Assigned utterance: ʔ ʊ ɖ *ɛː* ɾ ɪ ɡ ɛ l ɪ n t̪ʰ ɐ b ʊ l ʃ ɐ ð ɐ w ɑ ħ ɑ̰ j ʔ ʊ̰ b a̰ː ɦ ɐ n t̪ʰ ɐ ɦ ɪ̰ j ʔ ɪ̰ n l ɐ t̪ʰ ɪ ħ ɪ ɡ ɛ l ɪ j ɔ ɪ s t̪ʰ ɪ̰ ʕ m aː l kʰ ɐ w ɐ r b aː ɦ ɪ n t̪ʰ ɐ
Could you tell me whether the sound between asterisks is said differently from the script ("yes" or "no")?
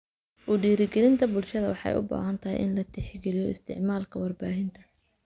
yes